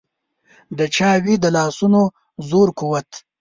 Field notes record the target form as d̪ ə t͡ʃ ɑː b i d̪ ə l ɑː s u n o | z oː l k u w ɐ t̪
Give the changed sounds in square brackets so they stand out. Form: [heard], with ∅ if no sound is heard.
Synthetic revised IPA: d̪ ə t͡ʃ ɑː [w] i d̪ ə l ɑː s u n o | z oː [ɾ] k u w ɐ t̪